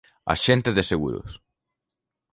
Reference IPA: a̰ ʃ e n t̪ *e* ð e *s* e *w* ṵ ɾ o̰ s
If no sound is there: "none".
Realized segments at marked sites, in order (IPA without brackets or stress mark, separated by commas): e, s, ɣ